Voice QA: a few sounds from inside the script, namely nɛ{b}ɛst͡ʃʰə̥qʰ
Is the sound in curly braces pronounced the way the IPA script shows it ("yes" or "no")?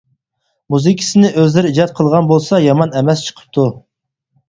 no